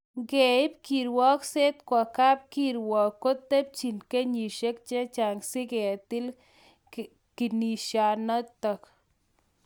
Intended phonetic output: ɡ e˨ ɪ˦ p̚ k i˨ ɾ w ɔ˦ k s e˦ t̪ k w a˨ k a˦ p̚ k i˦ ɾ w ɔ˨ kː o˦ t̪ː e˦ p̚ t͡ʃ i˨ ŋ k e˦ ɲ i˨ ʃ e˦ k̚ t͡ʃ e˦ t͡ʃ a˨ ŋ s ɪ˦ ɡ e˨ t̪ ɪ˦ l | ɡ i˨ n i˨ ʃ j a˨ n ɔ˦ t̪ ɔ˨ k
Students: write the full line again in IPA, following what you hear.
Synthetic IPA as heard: ɡ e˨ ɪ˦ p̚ k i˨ ɾ w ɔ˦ k s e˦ t̪ k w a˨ k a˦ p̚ k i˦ ɾ w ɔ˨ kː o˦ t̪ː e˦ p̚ t͡ʃ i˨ n k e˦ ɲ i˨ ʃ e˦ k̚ t͡ʃ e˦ t͡ʃ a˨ ŋ s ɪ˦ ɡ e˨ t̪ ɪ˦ l | k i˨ n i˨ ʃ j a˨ n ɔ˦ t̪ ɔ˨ k